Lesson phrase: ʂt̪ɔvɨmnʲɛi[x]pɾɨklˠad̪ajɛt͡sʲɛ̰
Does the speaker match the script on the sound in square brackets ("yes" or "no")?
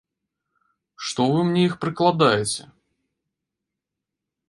yes